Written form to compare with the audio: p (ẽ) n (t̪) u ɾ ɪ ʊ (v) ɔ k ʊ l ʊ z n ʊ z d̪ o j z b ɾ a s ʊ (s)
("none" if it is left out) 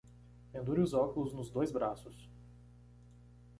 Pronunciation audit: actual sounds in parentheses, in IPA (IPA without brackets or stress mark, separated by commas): ẽ, d̪, z, s